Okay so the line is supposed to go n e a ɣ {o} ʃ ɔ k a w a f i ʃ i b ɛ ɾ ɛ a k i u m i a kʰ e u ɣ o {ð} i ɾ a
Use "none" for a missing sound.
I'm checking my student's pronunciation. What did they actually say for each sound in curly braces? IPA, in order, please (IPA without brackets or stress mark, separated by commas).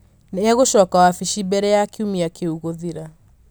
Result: o, ð